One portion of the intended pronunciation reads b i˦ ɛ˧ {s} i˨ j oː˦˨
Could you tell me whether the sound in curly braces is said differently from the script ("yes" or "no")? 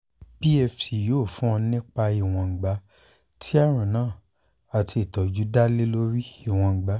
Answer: yes